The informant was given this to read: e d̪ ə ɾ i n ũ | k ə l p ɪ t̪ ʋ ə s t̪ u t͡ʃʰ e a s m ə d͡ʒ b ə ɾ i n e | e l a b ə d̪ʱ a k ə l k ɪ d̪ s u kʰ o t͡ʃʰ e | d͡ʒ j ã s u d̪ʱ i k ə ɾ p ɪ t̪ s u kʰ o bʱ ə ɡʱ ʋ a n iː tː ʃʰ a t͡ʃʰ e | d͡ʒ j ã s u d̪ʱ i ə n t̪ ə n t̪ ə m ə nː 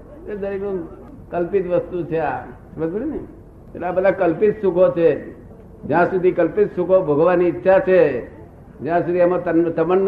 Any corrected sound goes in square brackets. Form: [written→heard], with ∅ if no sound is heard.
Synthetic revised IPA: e d̪ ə ɾ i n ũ | k ə l p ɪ t̪ ʋ ə s t̪ u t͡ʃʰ e a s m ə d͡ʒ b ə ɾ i n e | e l a b ə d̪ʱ a k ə l [k→p] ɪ [d̪→t̪] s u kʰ o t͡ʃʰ e | d͡ʒ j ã s u d̪ʱ i k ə [ɾ→l] p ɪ t̪ s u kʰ o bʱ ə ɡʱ ʋ a n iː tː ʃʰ a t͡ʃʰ e | d͡ʒ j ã s u d̪ʱ i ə [n→m] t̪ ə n t̪ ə m ə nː